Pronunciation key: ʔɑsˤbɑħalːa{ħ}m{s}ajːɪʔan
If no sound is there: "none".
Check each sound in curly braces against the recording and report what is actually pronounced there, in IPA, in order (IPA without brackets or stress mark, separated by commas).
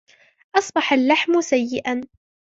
ħ, s